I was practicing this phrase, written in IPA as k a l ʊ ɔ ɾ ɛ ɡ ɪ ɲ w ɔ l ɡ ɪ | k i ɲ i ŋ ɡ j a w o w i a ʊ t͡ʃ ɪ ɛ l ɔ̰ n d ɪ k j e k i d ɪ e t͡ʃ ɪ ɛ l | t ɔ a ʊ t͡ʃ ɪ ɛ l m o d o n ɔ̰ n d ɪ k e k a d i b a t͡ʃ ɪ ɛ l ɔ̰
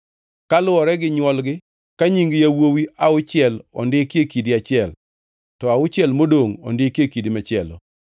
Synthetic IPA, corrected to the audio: k a l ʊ ɔ ɾ ɛ ɡ ɪ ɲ w ɔ l ɡ ɪ | k a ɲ i ŋ ɡ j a w o w i a ʊ t͡ʃ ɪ ɛ l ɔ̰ n d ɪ k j e k i d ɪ a t͡ʃ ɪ ɛ l | t ɔ a ʊ t͡ʃ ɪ ɛ l m o d o ŋ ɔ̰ n d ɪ k e k i d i m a t͡ʃ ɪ ɛ l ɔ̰